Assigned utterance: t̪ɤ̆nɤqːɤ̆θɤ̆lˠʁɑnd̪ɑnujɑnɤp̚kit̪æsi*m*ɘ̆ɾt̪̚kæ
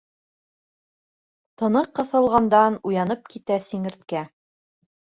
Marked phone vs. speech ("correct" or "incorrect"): incorrect